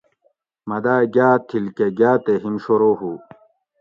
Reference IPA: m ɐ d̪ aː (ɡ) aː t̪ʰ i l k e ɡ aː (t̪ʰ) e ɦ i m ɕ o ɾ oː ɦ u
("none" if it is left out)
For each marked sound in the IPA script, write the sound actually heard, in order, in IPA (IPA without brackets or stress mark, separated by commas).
ɡ, t̪